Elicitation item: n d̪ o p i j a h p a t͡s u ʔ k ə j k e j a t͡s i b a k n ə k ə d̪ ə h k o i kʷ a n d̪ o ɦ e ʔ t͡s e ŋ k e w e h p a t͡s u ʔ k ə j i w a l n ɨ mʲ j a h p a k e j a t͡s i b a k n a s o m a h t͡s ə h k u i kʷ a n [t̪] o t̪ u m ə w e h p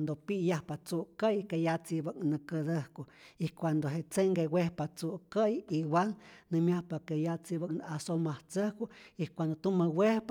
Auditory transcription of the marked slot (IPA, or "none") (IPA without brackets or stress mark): d̪